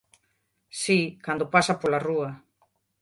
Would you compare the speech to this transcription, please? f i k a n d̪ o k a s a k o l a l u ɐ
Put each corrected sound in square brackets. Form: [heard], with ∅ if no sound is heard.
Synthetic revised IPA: [s] i k a n d̪ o [p] a s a [p] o l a [r] u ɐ